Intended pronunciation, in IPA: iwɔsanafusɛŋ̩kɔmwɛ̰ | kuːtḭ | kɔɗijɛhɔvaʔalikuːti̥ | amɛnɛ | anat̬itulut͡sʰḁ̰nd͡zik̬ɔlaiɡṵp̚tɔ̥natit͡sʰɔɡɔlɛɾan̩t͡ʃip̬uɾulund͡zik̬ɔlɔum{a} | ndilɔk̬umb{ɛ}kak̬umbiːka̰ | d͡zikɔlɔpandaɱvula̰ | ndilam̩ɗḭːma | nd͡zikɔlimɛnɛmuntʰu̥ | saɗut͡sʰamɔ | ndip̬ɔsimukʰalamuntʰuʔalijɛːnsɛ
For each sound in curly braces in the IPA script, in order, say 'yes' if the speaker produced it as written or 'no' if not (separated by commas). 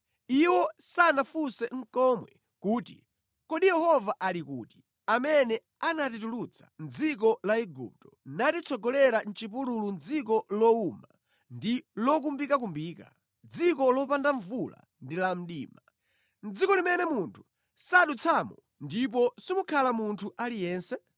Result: yes, no